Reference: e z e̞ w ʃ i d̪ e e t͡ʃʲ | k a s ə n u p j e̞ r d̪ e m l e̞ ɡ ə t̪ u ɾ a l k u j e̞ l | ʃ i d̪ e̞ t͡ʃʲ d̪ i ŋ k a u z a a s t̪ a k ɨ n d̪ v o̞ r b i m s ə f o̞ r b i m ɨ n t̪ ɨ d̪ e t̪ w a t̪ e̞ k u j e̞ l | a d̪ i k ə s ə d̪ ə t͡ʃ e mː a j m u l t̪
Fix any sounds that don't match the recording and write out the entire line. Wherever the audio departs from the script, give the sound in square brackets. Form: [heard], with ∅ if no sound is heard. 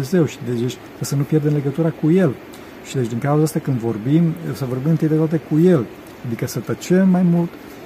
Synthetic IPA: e z e̞ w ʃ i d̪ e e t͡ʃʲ | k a s ə n u p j e̞ r d̪ e m l e̞ ɡ ə t̪ u ɾ a [∅] k u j e̞ l | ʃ i d̪ e̞ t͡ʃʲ d̪ i ŋ k a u z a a s t̪ a k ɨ n d̪ v o̞ r b i m s ə [v] o̞ r b i m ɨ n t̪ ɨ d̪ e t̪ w a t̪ e̞ k u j e̞ l | a d̪ i k ə s ə [t̪] ə t͡ʃ e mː a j m u l t̪